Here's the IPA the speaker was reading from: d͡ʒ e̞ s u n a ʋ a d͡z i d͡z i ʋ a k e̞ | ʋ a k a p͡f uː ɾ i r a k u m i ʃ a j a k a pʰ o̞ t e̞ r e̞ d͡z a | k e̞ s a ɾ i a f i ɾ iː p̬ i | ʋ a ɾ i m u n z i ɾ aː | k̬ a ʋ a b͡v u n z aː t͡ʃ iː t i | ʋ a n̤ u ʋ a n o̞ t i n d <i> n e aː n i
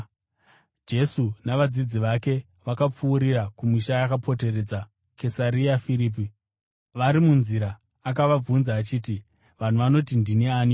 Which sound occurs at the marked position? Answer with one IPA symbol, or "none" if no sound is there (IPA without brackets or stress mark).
i